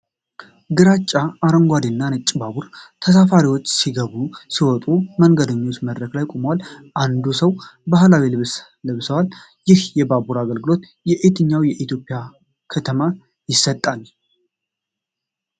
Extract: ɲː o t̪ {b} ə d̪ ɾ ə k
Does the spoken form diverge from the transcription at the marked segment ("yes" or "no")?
yes